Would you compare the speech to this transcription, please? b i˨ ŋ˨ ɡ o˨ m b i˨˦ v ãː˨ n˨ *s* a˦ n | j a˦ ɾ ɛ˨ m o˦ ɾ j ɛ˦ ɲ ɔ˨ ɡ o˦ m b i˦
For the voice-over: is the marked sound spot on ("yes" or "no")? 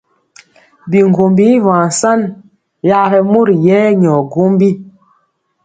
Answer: yes